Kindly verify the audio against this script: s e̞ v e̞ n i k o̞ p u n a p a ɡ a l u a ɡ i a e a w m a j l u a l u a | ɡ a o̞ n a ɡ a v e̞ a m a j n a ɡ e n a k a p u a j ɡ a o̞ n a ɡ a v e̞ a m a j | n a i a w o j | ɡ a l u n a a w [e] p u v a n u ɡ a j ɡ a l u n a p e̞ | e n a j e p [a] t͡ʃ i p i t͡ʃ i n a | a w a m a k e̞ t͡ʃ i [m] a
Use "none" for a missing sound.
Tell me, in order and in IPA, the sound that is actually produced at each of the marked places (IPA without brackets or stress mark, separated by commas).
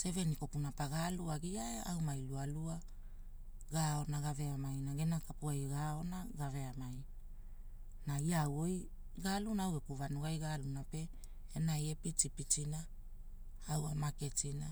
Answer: e, i, n